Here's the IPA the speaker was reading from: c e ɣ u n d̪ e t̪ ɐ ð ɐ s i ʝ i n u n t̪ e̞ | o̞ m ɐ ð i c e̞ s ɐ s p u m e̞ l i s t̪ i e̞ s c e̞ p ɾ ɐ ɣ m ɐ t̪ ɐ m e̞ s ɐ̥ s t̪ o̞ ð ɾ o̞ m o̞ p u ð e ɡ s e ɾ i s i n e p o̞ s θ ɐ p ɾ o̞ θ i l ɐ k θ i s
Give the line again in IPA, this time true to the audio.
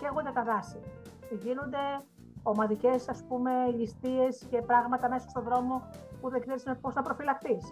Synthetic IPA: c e ɣ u n d̪ e t̪ ɐ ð ɐ s i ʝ i n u n d̪ e̞ | o̞ m ɐ ð i c e̞ s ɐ s p u m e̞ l i s t̪ i e̞ s c e̞ p ɾ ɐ ɣ m ɐ t̪ ɐ m e̞ s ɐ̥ s t̪ o̞ ð ɾ o̞ m o̞ p u ð e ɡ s e ɾ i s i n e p o̞ s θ ɐ p ɾ o̞ f i l ɐ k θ i s